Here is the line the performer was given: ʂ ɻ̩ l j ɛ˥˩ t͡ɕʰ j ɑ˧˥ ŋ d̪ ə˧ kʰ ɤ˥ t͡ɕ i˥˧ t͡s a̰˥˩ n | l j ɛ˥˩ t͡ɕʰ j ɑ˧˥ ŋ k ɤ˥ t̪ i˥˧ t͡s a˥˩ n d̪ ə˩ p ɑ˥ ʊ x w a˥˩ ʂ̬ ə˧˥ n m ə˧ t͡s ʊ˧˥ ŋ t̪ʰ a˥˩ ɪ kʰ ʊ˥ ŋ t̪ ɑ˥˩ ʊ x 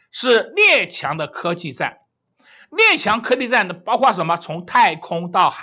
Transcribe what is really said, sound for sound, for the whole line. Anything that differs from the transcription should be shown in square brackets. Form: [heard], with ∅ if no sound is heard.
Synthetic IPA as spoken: ʂ ɻ̩ l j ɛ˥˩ t͡ɕʰ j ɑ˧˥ ŋ d̪ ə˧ kʰ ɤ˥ t͡ɕ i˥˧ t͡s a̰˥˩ n | l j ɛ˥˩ t͡ɕʰ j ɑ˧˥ ŋ [kʰ] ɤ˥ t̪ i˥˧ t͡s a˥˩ n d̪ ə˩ p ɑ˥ ʊ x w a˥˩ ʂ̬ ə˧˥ n m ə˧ [t͡sʰ] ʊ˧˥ ŋ t̪ʰ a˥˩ ɪ kʰ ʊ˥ ŋ t̪ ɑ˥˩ ʊ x